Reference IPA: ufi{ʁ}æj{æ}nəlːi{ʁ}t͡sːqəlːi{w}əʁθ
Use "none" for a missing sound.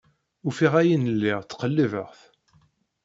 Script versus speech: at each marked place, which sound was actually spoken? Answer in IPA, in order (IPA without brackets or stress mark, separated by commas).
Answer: ʁ, i, ʁ, v